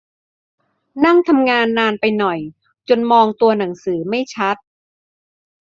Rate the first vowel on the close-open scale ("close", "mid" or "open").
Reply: open